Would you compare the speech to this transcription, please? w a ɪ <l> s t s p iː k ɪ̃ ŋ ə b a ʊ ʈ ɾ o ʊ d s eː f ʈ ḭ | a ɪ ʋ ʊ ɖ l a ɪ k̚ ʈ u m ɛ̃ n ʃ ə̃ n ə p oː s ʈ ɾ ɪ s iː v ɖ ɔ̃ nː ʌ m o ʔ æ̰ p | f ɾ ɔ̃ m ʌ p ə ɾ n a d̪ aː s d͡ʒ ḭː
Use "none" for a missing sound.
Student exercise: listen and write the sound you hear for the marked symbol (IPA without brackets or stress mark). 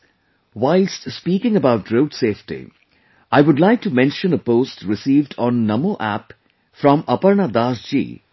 l